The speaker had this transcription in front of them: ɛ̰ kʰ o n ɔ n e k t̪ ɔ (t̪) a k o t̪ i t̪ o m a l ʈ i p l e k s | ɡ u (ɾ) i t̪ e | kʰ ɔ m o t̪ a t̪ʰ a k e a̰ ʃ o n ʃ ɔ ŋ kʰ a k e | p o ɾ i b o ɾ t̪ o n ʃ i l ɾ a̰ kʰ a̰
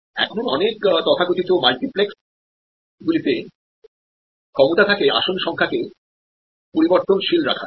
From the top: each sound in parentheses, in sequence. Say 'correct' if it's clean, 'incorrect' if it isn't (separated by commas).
incorrect, incorrect